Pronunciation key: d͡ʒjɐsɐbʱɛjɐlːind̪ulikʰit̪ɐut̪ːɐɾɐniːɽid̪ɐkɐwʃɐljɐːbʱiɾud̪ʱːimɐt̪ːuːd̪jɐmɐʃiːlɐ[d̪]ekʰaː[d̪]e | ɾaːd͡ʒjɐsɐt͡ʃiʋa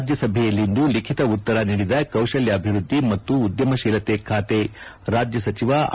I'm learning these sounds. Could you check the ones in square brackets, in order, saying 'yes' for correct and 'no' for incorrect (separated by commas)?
no, no